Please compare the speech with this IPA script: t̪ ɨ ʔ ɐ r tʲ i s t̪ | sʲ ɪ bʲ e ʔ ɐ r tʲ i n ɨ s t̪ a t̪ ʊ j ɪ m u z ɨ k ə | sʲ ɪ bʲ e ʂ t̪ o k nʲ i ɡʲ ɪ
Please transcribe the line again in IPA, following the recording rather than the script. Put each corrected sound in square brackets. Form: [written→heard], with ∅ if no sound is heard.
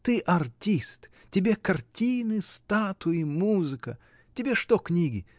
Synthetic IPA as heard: t̪ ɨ ʔ ɐ r tʲ i s t̪ | [sʲ→tʲ] ɪ bʲ e [ʔ→k] ɐ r tʲ i n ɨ s t̪ a t̪ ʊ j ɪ m u z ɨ k ə | [sʲ→tʲ] ɪ bʲ e ʂ t̪ o k nʲ i ɡʲ ɪ